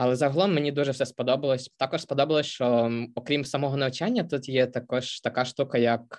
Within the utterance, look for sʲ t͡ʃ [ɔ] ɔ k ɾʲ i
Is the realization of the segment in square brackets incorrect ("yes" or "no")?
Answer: no